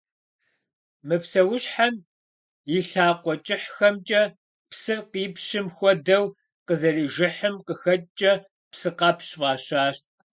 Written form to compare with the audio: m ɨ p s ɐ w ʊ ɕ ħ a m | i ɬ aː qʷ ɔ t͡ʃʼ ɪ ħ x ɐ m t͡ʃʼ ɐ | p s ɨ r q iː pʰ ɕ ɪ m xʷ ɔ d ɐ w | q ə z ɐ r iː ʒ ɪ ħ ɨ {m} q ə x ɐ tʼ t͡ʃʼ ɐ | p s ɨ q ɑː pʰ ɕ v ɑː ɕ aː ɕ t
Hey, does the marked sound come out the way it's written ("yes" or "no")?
yes